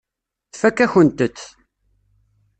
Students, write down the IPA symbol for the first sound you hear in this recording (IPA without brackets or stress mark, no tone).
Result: θ